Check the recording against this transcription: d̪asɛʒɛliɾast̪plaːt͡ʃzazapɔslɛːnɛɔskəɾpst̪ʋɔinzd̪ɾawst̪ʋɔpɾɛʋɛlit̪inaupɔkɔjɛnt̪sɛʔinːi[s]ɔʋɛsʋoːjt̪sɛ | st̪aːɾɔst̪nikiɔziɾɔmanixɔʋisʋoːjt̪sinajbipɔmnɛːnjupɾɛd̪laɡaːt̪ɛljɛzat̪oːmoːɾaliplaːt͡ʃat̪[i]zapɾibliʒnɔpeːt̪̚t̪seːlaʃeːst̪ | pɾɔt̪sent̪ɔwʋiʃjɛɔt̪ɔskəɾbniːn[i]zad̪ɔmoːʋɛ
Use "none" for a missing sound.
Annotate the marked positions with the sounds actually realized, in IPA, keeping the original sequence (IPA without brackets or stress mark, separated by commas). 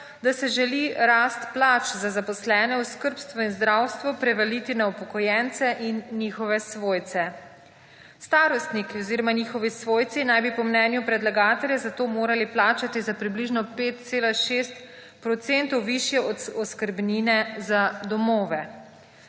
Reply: x, i, ɛ